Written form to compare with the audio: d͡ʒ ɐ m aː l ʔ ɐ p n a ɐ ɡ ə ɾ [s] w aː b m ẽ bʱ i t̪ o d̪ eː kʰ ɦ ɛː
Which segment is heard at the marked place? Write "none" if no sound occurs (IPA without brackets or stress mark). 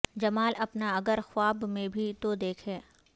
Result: x